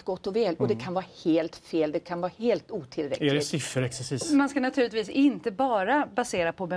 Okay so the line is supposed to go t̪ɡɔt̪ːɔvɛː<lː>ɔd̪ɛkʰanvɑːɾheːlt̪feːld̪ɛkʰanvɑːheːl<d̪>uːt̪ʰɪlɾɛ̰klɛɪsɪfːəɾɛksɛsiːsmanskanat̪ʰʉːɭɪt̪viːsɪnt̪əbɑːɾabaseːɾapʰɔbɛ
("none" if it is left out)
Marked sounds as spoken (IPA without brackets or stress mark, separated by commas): l, t̪